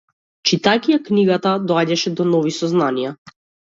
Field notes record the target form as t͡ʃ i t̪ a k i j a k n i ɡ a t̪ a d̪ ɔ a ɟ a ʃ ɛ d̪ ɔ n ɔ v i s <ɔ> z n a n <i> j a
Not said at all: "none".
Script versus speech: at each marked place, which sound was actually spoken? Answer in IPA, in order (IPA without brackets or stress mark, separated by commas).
ɔ, i